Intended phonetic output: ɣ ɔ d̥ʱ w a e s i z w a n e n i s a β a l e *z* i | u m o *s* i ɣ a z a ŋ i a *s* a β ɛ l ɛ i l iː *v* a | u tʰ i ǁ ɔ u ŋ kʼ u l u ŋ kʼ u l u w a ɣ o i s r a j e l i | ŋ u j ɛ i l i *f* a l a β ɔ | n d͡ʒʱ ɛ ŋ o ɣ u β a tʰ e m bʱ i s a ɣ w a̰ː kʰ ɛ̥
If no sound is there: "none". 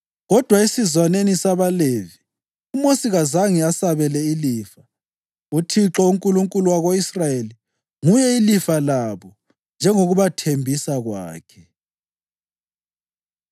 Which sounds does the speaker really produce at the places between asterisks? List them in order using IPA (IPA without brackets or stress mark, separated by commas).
v, s, s, f, f